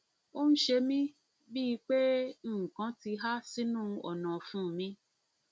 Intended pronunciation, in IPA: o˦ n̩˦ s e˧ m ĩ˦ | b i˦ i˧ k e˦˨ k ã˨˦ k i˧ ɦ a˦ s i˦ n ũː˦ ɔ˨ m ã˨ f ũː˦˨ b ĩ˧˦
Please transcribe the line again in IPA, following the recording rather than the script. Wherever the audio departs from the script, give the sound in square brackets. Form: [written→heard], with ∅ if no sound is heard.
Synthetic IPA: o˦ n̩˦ [s→ʃ] e˧ m ĩ˦ | b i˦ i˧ [k→k͡p] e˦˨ k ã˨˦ [k→t] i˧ ɦ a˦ s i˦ n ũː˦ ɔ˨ [m→n] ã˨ f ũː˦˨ [b→m] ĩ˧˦